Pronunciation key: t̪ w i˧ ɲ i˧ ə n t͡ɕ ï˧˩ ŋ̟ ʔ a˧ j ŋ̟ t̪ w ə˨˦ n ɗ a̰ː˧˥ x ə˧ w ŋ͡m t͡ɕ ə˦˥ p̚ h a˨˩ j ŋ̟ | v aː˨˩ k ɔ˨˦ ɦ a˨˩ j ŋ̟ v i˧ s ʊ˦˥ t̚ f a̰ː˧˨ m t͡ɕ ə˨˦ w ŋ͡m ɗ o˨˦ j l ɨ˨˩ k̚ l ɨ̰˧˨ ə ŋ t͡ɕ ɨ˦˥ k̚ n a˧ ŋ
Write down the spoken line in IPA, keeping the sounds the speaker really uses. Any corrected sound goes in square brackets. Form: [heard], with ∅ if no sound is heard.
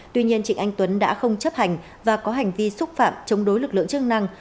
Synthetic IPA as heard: t̪ w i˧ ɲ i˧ ə n t͡ɕ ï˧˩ ŋ̟ ʔ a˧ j ŋ̟ t̪ w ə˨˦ n ɗ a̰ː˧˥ x ə˧ w ŋ͡m t͡ɕ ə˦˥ p̚ h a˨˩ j ŋ̟ | v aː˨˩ k ɔ˨˦ ɦ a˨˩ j ŋ̟ v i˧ s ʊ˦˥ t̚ f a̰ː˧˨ m t͡ɕ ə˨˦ w ŋ͡m ɗ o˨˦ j l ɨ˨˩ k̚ l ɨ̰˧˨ ə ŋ t͡ɕ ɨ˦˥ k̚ n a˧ ŋ